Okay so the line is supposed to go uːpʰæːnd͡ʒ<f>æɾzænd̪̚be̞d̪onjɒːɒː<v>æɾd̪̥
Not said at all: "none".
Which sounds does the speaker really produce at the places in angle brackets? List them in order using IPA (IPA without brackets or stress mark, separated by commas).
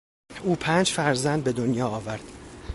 f, v